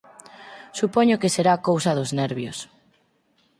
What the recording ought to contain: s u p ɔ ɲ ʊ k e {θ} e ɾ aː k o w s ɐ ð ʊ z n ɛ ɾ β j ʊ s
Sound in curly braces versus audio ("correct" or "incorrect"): incorrect